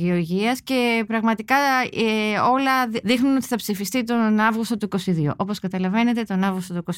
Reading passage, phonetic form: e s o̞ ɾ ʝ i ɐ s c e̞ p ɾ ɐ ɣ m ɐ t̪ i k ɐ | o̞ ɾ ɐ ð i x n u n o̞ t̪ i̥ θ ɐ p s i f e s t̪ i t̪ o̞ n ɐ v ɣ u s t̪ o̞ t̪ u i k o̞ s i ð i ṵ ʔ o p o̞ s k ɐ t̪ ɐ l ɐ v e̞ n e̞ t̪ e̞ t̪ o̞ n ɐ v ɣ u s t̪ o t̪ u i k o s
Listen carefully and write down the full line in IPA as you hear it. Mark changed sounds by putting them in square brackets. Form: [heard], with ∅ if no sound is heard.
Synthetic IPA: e [∅] o̞ ɾ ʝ i ɐ s c e̞ p ɾ ɐ ɣ m ɐ t̪ i k ɐ | o̞ [l] ɐ ð i x n u n o̞ t̪ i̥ θ ɐ p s i f [i] s t̪ i t̪ o̞ n ɐ v ɣ u s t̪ o̞ t̪ u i k o̞ s i ð i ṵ ʔ o p o̞ s k ɐ t̪ ɐ l ɐ v e̞ n e̞ t̪ e̞ t̪ o̞ n ɐ v ɣ u s t̪ o t̪ u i k o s